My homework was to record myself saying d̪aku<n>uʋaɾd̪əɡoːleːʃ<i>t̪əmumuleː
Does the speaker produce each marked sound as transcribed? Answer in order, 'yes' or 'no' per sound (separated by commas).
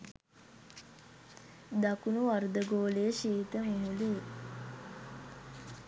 yes, no